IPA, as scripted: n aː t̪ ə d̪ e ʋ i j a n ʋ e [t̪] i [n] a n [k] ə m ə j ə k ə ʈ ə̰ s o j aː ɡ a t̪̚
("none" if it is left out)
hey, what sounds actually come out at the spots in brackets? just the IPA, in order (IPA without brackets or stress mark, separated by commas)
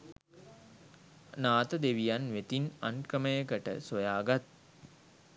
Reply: t̪, n, k